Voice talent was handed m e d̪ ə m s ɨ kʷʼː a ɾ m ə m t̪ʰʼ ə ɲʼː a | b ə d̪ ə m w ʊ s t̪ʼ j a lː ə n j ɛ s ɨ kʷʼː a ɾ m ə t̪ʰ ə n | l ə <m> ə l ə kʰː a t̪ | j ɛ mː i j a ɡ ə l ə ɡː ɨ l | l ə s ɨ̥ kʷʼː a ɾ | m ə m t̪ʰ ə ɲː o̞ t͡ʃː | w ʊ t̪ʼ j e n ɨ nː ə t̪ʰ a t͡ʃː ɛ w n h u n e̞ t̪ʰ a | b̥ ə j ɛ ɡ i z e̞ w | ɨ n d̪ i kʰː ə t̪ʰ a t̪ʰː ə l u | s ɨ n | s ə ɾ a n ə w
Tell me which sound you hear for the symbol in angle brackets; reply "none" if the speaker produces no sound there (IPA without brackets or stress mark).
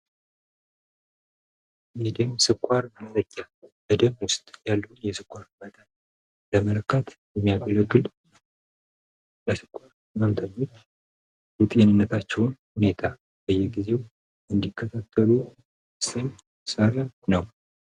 m